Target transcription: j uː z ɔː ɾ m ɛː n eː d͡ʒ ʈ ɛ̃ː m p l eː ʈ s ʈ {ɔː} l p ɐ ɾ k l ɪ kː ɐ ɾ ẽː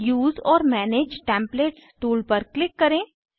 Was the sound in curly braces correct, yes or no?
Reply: no